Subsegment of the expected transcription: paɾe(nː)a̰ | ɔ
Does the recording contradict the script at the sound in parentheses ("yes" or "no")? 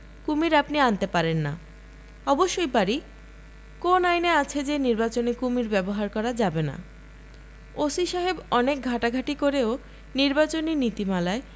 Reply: no